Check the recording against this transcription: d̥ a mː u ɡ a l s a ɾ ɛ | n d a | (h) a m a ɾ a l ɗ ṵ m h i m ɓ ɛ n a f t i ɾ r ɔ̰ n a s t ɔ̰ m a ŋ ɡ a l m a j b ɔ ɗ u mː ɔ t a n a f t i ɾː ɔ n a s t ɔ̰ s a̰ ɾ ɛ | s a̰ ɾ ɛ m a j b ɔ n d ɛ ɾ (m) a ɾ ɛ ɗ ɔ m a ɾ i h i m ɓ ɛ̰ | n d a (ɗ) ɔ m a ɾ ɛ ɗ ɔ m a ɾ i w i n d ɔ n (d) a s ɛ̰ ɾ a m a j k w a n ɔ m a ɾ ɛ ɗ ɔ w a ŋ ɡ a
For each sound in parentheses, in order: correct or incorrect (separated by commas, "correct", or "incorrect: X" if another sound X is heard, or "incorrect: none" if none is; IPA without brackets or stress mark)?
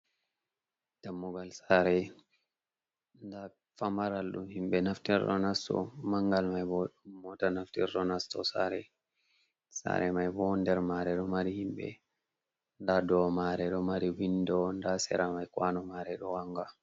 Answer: incorrect: f, correct, incorrect: d, correct